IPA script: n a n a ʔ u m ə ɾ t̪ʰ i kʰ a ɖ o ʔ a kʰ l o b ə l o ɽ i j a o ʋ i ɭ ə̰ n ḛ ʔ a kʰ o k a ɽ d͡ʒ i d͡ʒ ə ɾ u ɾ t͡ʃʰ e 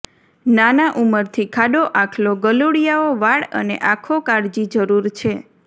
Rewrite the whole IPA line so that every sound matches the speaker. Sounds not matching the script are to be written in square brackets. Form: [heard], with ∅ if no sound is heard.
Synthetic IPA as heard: n a n a ʔ u m ə ɾ t̪ʰ i kʰ a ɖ o ʔ a kʰ l o [ɡ] ə l o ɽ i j a o ʋ [a] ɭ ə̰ n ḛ ʔ a kʰ o k a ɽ d͡ʒ i d͡ʒ ə ɾ u ɾ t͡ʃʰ e